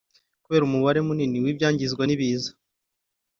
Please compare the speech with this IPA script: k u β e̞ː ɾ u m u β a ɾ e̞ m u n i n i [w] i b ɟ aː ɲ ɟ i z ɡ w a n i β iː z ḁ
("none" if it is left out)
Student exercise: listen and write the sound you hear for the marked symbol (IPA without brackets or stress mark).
w